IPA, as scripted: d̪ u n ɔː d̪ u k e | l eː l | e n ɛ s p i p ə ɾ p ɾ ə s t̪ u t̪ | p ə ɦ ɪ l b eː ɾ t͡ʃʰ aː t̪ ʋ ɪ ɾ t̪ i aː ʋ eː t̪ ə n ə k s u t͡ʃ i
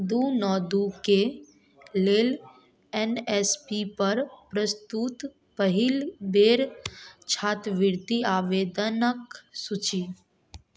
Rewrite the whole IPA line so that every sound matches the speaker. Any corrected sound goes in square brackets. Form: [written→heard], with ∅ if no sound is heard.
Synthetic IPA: d̪ u n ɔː d̪ u k e | l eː l | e n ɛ s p i p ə ɾ p ɾ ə s t̪ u t̪ | p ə ɦ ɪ l b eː ɾ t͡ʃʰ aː t̪ ʋ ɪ ɾ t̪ i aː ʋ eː [t̪→d̪] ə n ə k s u t͡ʃ i